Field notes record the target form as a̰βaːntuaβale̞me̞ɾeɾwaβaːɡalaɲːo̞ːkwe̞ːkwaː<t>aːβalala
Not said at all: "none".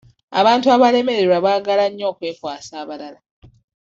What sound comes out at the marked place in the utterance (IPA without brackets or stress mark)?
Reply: s